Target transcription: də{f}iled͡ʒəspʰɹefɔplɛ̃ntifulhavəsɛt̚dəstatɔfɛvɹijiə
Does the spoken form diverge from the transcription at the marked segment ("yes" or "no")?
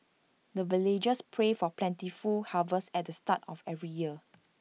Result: yes